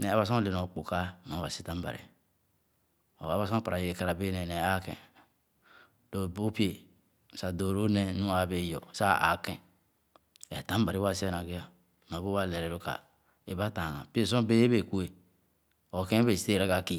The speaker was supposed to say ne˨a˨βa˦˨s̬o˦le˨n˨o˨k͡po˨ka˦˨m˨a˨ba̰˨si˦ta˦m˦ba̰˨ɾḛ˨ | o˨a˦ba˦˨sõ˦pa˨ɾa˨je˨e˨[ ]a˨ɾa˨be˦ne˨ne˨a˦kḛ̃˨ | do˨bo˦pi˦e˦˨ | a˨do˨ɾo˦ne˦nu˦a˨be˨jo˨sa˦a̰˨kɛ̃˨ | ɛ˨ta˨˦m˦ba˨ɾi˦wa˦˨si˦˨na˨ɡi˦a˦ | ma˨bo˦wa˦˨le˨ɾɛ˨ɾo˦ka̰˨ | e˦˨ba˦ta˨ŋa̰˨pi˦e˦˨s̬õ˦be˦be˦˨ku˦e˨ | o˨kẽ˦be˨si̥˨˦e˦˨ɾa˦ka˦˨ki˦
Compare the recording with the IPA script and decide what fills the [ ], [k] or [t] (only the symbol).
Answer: k